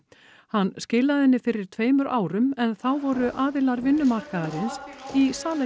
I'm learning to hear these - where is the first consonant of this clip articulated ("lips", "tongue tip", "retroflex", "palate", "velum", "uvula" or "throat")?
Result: throat